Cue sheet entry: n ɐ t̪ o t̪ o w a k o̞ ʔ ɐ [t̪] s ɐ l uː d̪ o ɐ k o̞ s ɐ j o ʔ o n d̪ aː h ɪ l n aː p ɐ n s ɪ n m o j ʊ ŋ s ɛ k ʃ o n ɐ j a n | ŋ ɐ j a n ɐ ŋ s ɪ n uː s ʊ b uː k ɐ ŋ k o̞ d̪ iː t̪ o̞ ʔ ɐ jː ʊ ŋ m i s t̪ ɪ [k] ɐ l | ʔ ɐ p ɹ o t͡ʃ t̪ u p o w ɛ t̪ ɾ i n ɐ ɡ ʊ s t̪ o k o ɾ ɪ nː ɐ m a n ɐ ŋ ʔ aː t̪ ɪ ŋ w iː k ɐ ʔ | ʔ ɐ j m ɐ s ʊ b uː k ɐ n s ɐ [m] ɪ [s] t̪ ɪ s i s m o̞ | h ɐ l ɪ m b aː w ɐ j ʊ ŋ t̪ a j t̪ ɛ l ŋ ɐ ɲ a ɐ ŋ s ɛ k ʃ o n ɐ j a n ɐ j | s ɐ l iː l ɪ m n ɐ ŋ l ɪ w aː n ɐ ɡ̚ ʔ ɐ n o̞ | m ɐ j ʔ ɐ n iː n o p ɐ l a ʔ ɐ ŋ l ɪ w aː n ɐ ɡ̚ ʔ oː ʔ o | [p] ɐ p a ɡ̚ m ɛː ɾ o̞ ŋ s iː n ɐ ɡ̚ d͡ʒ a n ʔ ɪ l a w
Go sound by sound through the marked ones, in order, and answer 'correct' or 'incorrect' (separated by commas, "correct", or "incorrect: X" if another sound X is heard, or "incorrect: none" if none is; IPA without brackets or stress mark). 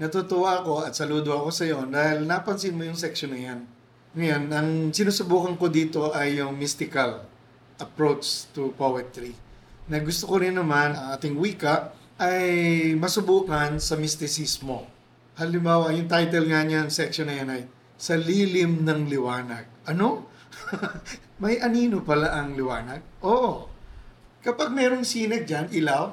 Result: correct, correct, correct, correct, incorrect: k